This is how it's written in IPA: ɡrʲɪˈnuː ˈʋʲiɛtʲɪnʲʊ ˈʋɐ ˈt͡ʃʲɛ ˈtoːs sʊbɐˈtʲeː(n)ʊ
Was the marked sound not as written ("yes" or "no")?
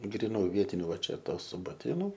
no